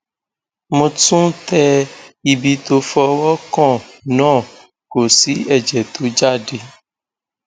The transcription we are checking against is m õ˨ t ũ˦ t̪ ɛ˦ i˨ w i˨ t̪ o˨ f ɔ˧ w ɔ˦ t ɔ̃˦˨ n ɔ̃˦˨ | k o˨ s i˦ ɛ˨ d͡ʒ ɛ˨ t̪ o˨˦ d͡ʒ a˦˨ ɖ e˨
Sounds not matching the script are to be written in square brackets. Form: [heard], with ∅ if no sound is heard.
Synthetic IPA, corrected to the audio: m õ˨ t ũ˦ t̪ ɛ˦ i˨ [b] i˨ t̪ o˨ f ɔ˧ w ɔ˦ [k] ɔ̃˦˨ n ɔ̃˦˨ | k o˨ s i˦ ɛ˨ d͡ʒ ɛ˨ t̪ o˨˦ d͡ʒ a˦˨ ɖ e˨